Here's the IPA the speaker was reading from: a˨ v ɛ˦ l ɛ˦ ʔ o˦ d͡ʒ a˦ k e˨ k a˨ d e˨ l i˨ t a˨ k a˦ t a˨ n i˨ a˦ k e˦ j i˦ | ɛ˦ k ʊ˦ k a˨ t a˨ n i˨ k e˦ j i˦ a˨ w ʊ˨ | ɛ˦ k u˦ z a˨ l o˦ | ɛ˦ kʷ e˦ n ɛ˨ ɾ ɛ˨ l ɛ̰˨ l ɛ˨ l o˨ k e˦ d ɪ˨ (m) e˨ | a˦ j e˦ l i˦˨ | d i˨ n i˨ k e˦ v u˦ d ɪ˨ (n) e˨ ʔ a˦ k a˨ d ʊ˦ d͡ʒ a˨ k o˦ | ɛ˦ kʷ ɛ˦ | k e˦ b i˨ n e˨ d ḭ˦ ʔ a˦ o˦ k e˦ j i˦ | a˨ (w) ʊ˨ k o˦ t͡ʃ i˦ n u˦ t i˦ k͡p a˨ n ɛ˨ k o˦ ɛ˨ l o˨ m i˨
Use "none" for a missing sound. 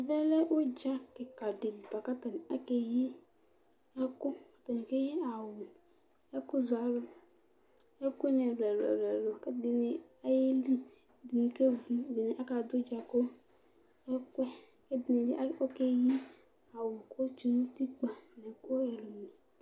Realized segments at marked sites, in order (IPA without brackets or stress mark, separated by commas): n, n, w